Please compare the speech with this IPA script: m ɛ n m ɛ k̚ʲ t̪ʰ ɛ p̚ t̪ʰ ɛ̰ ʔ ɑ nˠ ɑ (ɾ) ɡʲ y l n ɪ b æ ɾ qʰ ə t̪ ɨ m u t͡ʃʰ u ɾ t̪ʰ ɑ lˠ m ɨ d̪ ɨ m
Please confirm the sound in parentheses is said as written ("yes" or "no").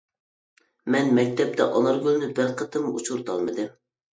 yes